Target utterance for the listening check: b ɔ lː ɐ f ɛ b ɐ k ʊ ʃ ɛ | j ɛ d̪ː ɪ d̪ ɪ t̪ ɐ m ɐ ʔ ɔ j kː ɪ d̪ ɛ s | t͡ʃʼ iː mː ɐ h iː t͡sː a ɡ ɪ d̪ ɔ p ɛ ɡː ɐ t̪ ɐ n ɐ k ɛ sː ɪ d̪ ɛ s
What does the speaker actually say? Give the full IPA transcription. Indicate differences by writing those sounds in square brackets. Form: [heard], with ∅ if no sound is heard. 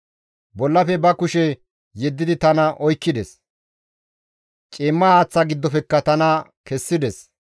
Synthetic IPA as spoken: b ɔ lː ɐ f ɛ b ɐ k ʊ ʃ ɛ | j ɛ d̪ː ɪ d̪ ɪ t̪ ɐ [n] ɐ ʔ ɔ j kː ɪ d̪ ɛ s | t͡ʃʼ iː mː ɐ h [aː] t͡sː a ɡ ɪ [d̪ː] ɔ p ɛ [kː] ɐ t̪ ɐ n ɐ k ɛ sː ɪ d̪ ɛ s